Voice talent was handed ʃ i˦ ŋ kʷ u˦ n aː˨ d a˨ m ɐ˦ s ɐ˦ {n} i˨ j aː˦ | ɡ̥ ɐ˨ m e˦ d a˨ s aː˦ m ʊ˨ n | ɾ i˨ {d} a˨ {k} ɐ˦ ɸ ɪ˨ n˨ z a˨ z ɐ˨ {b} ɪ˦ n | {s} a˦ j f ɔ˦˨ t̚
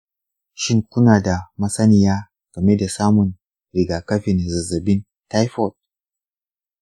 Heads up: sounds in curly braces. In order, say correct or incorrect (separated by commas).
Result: correct, incorrect, correct, correct, incorrect